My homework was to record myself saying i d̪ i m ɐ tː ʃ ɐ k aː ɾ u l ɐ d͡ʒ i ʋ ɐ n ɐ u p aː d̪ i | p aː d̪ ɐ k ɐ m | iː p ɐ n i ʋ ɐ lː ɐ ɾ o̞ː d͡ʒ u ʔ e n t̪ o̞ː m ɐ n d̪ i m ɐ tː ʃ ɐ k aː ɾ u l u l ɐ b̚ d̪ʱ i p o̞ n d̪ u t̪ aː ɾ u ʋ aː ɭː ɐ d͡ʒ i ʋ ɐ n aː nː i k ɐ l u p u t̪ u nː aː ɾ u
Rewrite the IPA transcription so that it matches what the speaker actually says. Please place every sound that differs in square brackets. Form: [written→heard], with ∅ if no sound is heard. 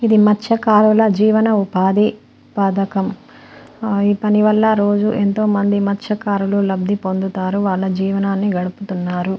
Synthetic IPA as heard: i d̪ i m ɐ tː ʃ ɐ k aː ɾ u l ɐ d͡ʒ [i→iː] ʋ ɐ n ɐ u p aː d̪ i | p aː d̪ ɐ k ɐ m | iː p ɐ n i ʋ ɐ lː ɐ ɾ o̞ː d͡ʒ u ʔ e n t̪ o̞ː m ɐ n d̪ i m ɐ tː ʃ ɐ k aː ɾ u l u l ɐ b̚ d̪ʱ i p o̞ n d̪ u t̪ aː ɾ u ʋ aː ɭː ɐ d͡ʒ [i→iː] ʋ ɐ n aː nː i [k→ɡ] ɐ [l→ɽ] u p u t̪ u nː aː ɾ u